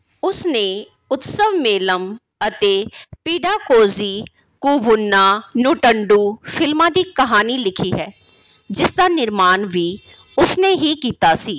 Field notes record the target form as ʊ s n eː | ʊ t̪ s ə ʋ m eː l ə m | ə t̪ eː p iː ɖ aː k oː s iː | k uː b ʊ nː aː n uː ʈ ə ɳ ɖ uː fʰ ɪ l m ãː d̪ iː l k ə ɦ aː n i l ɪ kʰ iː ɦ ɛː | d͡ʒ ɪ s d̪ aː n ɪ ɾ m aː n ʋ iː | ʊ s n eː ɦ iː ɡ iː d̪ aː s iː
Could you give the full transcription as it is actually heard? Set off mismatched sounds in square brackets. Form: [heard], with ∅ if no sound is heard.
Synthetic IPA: ʊ s n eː | ʊ t̪ s ə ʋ m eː l ə m | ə t̪ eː p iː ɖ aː k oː [z] iː | k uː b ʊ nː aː n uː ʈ ə ɳ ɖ uː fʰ ɪ l m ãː d̪ iː [∅] k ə ɦ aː n i l ɪ kʰ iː ɦ ɛː | d͡ʒ ɪ s d̪ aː n ɪ ɾ m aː n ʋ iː | ʊ s n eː ɦ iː [k] iː [t̪] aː s iː